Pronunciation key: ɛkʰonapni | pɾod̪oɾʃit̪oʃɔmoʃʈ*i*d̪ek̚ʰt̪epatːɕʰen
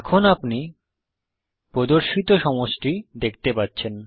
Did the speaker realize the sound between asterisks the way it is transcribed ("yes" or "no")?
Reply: yes